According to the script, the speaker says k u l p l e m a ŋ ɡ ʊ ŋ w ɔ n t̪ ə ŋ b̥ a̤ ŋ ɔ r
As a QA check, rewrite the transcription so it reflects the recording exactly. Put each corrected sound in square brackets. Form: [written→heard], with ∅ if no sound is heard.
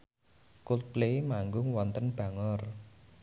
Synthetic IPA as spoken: k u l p l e m a ŋ ɡ ʊ ŋ w ɔ n t̪ ə [ŋ→n] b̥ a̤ ŋ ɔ r